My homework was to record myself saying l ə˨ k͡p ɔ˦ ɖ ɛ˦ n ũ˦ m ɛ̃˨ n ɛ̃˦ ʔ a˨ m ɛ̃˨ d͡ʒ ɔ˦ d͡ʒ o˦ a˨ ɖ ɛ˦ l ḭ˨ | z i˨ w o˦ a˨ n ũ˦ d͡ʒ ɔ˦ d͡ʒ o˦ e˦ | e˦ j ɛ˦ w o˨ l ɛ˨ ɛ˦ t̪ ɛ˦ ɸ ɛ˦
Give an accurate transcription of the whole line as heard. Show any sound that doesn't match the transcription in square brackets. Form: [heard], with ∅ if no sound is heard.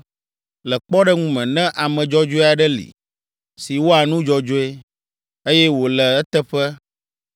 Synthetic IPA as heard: l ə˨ k͡p ɔ˦ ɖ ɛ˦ [ŋ] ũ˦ m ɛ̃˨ n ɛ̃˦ ʔ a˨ m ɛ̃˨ d͡ʒ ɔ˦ d͡ʒ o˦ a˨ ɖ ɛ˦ l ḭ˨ | [s] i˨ w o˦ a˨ n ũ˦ d͡ʒ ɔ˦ d͡ʒ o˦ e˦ | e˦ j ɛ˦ w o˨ l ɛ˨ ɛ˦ t̪ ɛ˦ ɸ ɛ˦